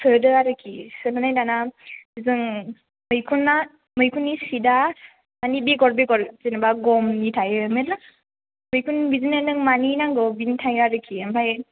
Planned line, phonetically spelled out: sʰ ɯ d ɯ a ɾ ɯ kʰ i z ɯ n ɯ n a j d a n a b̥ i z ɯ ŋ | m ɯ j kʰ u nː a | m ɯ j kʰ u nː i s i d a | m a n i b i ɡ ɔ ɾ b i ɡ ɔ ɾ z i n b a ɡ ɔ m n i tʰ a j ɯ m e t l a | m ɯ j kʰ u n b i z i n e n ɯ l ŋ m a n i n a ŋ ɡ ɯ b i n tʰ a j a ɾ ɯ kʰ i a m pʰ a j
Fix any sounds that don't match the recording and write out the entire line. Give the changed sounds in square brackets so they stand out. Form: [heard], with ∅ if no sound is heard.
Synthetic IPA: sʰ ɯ d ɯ a ɾ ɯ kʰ i [s] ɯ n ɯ n a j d a n a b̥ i z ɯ ŋ | m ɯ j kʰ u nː a | m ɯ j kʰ u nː i s i d a | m a n i b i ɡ ɔ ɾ b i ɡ ɔ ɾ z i n b a ɡ ɔ m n i tʰ a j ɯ m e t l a | m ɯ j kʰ u n b i z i n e n ɯ [∅] ŋ m a n i n a ŋ ɡ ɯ b i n tʰ a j a ɾ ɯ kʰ i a m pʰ a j